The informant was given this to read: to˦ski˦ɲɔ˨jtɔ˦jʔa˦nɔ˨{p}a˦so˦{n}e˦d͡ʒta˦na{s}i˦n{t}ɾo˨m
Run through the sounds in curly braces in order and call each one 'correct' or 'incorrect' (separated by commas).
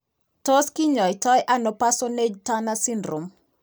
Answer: correct, correct, correct, incorrect